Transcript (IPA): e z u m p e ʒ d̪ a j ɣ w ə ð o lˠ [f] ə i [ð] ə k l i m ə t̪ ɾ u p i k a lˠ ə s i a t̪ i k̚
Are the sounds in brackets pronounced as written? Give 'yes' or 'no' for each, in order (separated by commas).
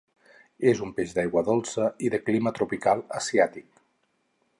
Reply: no, yes